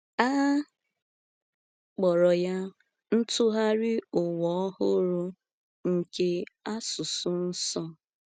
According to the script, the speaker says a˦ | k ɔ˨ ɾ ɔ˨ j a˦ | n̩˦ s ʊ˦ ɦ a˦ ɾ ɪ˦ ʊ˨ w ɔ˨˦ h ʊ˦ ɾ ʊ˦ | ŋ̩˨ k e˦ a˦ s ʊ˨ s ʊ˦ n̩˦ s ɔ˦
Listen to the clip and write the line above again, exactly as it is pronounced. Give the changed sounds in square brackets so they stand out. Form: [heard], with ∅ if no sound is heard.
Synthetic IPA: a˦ | [k͡p] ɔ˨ ɾ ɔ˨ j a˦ | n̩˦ [t] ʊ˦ ɦ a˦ ɾ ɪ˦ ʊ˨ w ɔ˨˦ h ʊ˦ ɾ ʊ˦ | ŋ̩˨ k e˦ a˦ s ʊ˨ s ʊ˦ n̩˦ s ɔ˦